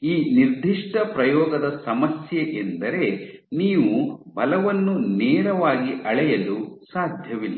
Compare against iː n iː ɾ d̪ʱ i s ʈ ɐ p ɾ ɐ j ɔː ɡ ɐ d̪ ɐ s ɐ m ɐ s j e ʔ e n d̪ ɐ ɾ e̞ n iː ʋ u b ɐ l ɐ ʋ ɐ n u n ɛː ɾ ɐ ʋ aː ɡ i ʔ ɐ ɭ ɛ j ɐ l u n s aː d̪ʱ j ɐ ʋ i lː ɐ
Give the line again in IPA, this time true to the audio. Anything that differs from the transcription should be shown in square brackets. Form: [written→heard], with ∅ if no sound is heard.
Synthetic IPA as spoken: iː n [iː→i] ɾ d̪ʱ i [s→ʂ] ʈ ɐ p ɾ ɐ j ɔː ɡ ɐ d̪ ɐ s ɐ m ɐ s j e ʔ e n d̪ ɐ ɾ e̞ n iː ʋ u b ɐ l ɐ ʋ ɐ [n→nː] u n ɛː ɾ ɐ ʋ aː ɡ i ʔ ɐ ɭ ɛ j ɐ l u [n→∅] s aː d̪ʱ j ɐ ʋ i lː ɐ

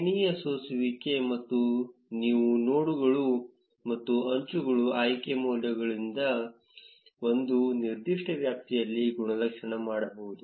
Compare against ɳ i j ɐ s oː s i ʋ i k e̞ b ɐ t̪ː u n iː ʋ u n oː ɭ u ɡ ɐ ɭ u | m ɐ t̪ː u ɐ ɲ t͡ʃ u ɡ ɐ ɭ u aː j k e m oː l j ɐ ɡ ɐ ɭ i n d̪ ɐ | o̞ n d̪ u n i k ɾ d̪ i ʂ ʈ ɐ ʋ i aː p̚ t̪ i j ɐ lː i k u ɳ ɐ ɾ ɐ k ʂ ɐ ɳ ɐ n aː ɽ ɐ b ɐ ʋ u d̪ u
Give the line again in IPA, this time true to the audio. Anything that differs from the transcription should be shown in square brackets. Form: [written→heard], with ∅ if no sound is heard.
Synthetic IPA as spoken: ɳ i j ɐ s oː s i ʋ i k e̞ [b→m] ɐ t̪ː u n iː ʋ u n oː [ɭ→ɽ] u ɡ ɐ ɭ u | m ɐ t̪ː u ɐ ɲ t͡ʃ u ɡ ɐ ɭ u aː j k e m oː l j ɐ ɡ ɐ ɭ i n d̪ ɐ | o̞ n d̪ u n i [k→∅] ɾ d̪ i ʂ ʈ ɐ ʋ [i→j] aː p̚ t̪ i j ɐ lː i [k→ɡ] u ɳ ɐ [ɾ→l] ɐ k ʂ ɐ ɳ ɐ [n→m] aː ɽ ɐ b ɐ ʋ u d̪ u

